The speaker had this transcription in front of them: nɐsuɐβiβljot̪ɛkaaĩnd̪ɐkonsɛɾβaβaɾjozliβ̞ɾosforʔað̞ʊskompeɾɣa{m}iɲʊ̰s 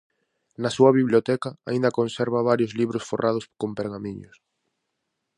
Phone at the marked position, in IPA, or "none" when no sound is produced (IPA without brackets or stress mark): m